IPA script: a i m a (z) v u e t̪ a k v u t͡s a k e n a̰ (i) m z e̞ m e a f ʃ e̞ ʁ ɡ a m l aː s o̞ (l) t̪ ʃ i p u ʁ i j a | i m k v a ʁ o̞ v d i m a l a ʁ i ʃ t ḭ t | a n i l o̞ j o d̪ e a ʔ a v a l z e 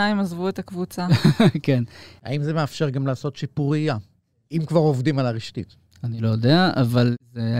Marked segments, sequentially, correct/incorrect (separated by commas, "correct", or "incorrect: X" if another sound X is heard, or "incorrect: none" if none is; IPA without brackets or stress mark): correct, correct, incorrect: none